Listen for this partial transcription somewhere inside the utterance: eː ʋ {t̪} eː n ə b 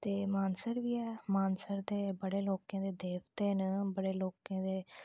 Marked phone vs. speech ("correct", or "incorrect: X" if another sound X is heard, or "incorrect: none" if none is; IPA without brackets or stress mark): correct